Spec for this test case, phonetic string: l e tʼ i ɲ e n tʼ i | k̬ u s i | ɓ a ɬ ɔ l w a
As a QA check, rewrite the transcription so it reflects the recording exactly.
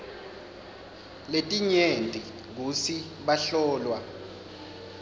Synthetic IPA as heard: l e tʼ i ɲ e n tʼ i | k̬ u s i | ɓ a ɬ ɔː l w a